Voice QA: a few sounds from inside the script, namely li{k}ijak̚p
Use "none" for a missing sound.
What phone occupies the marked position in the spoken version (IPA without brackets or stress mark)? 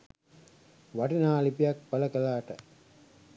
p